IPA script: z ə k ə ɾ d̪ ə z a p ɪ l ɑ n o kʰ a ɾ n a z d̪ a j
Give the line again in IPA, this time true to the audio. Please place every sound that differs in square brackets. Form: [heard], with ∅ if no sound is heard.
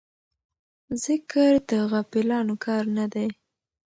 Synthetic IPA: z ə k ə ɾ d̪ ə [ɣ] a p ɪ l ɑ n o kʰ [ɑ] ɾ n a [∅] d̪ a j